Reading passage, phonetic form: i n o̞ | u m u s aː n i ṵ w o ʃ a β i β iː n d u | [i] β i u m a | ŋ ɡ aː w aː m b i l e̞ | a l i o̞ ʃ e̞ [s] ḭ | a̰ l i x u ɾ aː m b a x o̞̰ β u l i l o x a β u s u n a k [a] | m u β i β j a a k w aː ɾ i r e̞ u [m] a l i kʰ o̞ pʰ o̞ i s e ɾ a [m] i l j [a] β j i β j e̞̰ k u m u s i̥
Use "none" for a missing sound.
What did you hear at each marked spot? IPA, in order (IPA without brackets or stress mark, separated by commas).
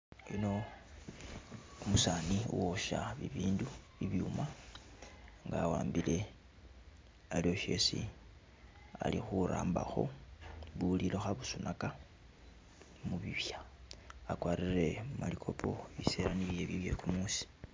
i, s, a, m, n, e